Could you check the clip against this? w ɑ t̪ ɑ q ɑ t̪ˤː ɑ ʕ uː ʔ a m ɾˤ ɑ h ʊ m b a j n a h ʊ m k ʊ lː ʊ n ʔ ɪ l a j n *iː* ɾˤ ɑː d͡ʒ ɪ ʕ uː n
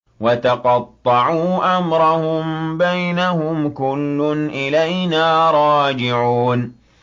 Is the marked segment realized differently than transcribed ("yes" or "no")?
yes